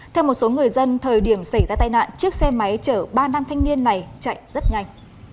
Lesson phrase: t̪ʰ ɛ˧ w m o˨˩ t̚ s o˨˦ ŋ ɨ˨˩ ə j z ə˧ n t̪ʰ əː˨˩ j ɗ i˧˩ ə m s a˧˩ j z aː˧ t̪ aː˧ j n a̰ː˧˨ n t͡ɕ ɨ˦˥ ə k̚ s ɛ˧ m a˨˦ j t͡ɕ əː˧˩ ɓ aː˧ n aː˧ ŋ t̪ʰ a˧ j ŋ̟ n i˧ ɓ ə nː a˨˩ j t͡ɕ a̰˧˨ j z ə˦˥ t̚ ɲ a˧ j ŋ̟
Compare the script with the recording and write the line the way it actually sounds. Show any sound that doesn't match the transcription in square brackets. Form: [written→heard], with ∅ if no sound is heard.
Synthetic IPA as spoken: t̪ʰ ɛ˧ w m o˨˩ t̚ s o˨˦ ŋ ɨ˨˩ ə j z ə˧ n t̪ʰ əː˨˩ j ɗ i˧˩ ə m s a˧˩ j z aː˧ t̪ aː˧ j n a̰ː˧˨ n t͡ɕ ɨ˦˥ ə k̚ s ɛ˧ m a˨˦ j t͡ɕ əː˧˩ ɓ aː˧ n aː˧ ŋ t̪ʰ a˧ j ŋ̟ n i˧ [ɓ→∅] ə nː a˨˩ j t͡ɕ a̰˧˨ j z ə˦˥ t̚ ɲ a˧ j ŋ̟

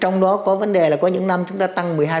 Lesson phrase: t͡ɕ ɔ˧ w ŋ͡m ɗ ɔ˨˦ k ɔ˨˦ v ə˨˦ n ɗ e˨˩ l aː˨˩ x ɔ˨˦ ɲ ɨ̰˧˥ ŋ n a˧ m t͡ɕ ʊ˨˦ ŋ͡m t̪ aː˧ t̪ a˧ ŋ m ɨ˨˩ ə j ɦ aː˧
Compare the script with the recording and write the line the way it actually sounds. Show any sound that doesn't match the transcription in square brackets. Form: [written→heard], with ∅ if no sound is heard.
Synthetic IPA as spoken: t͡ɕ ɔ˧ w ŋ͡m ɗ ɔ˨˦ k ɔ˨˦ v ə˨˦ n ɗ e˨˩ l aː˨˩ [x→k] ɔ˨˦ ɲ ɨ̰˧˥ ŋ n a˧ m t͡ɕ ʊ˨˦ ŋ͡m t̪ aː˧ t̪ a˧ ŋ m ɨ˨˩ ə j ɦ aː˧

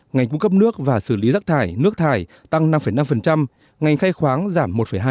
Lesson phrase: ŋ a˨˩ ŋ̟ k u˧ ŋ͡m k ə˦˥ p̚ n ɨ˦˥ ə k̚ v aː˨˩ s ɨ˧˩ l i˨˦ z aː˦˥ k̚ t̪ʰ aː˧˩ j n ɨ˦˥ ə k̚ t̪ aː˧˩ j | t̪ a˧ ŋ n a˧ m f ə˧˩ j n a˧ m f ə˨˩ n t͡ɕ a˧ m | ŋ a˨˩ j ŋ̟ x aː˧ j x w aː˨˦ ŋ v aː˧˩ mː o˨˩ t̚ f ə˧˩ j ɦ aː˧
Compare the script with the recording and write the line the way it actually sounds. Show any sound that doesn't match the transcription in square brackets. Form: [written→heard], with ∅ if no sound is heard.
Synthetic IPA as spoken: ŋ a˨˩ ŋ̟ k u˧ ŋ͡m k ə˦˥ p̚ n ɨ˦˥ ə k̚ v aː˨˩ s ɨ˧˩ l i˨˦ z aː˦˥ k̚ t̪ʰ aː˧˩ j n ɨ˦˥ ə k̚ [t̪→t̪ʰ] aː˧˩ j | t̪ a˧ ŋ n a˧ m f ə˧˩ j n a˧ m f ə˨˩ n t͡ɕ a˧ m | ŋ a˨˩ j ŋ̟ x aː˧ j x w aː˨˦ ŋ [v→z] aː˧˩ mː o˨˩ t̚ f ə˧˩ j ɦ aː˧

